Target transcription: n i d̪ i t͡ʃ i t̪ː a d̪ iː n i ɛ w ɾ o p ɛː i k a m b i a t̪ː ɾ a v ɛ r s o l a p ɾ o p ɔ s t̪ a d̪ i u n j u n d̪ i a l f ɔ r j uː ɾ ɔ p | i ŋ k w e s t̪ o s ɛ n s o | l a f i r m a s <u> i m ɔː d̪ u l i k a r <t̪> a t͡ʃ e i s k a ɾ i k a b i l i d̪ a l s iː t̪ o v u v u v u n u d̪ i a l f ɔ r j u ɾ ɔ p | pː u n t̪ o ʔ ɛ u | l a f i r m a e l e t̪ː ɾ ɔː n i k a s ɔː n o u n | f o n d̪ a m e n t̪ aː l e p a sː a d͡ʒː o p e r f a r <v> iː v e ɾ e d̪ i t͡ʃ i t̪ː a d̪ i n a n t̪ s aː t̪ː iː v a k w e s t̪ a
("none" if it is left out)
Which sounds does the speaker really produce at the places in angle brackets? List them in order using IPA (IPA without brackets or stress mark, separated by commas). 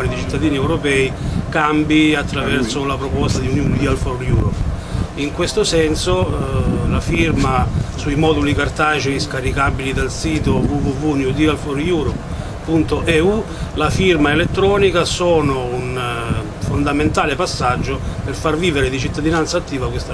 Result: u, t̪, v